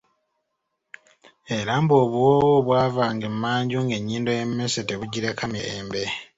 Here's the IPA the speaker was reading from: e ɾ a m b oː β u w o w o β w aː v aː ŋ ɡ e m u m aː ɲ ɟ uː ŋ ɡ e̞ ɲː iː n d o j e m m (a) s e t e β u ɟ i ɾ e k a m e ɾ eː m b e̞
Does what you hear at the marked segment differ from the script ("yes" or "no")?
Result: yes